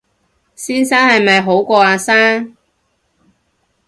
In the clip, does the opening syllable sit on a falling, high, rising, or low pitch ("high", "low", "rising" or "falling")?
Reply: high